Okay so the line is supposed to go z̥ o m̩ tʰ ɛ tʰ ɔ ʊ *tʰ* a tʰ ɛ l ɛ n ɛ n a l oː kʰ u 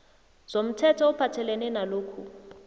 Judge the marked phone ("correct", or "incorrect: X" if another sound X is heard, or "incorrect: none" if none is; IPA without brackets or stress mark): incorrect: pʰ